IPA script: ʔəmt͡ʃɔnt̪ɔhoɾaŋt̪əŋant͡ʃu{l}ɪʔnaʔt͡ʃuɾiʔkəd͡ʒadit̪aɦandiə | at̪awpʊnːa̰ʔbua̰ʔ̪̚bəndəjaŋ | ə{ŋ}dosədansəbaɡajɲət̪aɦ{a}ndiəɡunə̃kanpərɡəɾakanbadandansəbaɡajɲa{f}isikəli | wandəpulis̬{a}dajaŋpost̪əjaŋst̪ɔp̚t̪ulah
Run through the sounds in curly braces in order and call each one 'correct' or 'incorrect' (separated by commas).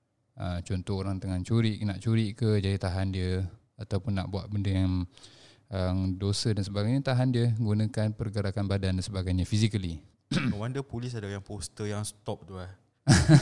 incorrect, correct, correct, correct, correct